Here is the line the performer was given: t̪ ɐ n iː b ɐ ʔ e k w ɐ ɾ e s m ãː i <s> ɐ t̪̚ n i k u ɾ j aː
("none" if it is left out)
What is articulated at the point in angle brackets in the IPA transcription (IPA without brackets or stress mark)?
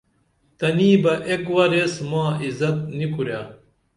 z